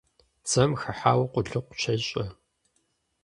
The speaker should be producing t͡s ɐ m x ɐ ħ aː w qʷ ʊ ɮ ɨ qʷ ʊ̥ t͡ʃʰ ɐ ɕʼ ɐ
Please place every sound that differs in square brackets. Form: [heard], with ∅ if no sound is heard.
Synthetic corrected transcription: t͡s ɐ m x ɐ ħ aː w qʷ ʊ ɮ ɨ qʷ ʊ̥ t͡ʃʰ ɐ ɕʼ ɐ